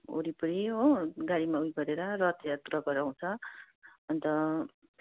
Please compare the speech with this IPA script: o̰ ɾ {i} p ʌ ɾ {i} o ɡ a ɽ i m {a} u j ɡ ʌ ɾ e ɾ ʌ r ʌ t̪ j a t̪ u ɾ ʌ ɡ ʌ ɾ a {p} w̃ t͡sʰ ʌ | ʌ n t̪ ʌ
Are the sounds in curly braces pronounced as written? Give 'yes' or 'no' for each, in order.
yes, yes, yes, no

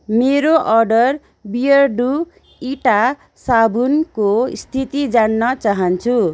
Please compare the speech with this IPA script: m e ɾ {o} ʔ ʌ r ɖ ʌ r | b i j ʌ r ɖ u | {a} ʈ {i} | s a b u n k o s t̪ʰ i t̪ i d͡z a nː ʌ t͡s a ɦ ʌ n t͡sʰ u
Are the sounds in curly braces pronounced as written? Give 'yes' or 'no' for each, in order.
yes, no, no

